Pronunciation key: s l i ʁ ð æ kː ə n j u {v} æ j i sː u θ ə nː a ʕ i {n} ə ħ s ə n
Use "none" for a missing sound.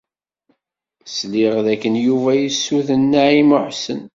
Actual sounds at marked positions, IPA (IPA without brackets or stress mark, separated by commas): v, m